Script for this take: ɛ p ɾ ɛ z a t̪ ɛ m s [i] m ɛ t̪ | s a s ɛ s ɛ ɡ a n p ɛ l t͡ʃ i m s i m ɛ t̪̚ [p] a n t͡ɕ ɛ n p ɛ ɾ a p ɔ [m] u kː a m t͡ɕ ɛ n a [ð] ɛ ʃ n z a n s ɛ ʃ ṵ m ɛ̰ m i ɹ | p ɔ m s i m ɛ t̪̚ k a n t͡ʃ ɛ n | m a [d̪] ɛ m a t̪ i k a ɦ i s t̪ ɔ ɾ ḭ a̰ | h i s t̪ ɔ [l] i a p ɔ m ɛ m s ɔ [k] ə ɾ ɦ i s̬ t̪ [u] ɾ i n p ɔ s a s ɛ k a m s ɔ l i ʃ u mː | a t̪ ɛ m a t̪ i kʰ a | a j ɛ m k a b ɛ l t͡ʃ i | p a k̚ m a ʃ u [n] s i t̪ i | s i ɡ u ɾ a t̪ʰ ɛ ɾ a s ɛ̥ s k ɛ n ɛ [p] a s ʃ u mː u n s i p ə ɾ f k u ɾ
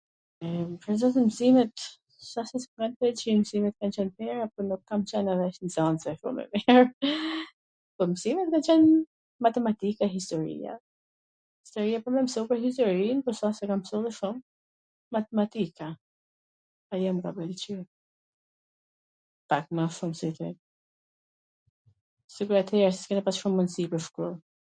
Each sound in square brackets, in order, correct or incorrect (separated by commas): correct, incorrect, incorrect, correct, incorrect, incorrect, incorrect, incorrect, incorrect, correct